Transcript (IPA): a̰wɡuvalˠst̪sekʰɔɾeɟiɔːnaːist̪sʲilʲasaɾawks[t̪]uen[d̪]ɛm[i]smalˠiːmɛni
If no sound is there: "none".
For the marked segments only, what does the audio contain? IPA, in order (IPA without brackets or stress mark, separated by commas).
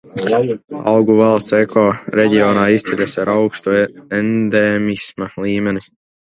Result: t̪, d̪, i